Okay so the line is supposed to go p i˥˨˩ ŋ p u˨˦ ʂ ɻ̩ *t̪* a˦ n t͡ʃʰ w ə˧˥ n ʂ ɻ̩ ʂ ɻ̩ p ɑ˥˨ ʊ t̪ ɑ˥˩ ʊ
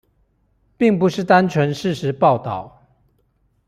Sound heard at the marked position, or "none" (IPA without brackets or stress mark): t̪